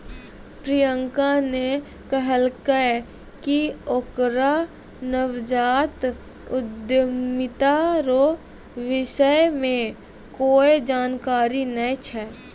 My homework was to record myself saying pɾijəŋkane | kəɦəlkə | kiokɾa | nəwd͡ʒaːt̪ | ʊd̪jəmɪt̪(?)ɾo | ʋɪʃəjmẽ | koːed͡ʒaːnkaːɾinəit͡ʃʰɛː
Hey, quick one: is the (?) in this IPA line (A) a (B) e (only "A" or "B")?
A